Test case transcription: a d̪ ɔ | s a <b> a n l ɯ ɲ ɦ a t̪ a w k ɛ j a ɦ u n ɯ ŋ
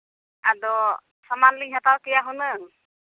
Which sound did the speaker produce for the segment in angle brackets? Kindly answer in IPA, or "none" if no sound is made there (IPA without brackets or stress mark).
m